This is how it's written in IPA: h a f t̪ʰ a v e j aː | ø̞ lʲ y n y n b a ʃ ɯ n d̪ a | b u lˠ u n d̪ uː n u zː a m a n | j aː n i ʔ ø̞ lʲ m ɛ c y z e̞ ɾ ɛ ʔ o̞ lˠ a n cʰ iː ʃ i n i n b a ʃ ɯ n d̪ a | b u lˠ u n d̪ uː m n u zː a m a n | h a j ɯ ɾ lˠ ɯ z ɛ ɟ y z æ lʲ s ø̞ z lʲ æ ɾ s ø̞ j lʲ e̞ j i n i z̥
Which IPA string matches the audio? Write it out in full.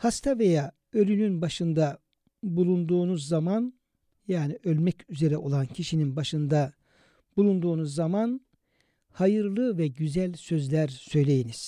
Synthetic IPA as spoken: h a s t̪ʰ a v e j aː | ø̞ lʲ y n y n b a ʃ ɯ n d̪ a | b u lˠ u n d̪ uː n u zː a m a n | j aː n i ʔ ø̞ lʲ m ɛ c y z e̞ ɾ ɛ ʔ o̞ lˠ a n cʰ i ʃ i n i n b a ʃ ɯ n d̪ a | b u lˠ u n d̪ uː n u zː a m a n | h a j ɯ ɾ lˠ ɯ v ɛ ɟ y z æ lʲ s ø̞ z lʲ æ ɾ s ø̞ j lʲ e̞ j i n i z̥